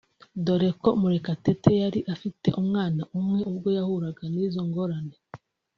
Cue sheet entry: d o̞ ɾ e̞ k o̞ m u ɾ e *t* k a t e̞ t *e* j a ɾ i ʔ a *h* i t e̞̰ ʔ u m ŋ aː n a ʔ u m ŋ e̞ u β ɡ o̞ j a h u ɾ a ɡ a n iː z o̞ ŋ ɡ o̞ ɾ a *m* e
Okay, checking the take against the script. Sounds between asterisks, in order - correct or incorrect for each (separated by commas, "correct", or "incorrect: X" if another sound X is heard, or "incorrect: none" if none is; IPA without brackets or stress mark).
incorrect: none, correct, incorrect: f, incorrect: n